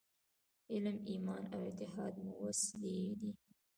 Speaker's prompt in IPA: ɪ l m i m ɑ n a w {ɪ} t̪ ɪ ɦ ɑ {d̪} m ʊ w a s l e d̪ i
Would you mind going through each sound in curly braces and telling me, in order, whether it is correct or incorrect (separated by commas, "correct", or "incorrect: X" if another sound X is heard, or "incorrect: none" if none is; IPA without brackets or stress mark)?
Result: correct, correct